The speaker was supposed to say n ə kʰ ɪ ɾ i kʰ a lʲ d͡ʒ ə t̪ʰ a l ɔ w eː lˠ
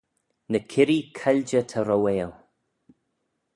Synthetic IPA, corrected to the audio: n ə kʰ ɪ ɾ i kʰ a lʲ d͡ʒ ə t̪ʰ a ɾ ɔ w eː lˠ